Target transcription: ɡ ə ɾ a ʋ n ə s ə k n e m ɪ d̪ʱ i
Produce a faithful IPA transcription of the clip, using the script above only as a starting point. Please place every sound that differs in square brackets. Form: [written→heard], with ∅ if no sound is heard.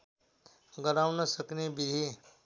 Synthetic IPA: ɡ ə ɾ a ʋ n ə s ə k n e [m→b] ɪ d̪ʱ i